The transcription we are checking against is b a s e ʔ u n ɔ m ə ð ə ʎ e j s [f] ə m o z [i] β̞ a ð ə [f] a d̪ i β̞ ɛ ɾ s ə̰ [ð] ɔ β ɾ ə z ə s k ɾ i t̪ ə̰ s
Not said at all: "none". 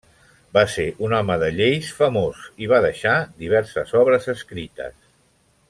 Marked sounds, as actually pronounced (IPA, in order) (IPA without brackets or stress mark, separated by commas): f, i, ʃ, z